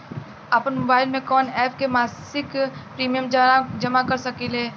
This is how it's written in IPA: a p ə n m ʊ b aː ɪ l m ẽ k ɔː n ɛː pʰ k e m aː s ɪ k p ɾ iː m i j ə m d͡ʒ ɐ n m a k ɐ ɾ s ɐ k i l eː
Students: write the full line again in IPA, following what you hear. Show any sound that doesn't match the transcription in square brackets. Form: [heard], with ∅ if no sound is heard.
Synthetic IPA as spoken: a p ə n m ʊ b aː ɪ l m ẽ k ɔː n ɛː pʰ k e m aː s ɪ k p ɾ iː m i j ə m d͡ʒ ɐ [∅] m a k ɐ ɾ s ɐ k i l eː